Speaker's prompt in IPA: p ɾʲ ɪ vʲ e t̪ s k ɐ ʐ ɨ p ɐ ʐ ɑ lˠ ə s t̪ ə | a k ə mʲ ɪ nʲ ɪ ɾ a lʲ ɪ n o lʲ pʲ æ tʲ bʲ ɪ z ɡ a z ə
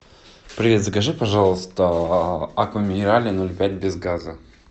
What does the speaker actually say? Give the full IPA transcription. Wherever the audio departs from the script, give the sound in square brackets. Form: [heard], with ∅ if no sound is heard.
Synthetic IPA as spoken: p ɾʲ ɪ vʲ e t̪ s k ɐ ʐ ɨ p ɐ ʐ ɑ lˠ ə s t̪ ə | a k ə mʲ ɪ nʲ ɪ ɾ a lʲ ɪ n o lʲ pʲ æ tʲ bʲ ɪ z ɡ a z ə